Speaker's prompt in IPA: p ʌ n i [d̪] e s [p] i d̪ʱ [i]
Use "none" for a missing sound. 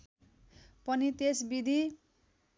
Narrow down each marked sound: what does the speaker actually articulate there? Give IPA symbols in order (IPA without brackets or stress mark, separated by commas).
t̪, b, i